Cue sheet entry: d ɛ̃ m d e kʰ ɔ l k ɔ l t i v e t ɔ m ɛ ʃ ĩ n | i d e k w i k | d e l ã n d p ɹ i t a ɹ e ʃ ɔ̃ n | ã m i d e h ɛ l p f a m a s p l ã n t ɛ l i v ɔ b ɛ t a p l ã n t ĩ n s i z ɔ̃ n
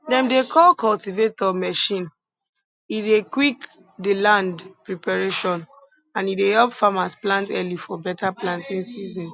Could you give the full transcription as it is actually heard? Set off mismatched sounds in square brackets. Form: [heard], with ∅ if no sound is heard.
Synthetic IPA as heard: d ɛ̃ m d e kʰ ɔ l k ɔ l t i v e t ɔ m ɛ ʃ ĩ n | i d e k w i k | d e l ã n d p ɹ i [p] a ɹ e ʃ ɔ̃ n | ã [n] i d e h ɛ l p f a m a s p l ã n t ɛ l i [f] ɔ b ɛ t a p l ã n t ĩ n s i z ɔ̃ n